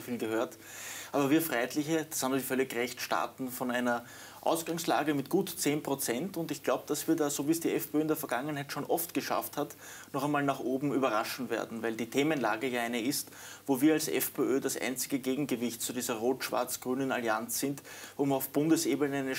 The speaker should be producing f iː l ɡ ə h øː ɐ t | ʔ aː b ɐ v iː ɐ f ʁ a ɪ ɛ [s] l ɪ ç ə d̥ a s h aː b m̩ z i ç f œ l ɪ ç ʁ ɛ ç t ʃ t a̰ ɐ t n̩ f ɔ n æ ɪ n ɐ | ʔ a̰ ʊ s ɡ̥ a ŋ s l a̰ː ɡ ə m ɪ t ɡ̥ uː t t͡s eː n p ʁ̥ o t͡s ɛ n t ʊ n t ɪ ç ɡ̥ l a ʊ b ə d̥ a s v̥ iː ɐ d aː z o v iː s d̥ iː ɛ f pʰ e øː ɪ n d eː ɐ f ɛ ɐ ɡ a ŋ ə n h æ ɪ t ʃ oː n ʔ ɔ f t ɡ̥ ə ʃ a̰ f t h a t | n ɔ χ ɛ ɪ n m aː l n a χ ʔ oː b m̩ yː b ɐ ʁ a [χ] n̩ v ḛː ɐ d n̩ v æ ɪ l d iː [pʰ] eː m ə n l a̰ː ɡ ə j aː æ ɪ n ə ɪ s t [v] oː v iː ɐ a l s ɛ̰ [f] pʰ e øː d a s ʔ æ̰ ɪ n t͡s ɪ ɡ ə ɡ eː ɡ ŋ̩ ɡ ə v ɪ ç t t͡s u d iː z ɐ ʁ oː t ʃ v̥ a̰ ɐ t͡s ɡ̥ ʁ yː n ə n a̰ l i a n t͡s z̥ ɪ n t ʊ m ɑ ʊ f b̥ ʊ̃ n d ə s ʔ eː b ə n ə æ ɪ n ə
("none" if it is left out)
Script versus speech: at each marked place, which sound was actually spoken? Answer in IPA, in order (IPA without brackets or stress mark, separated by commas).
t, ʃ, tʰ, v, f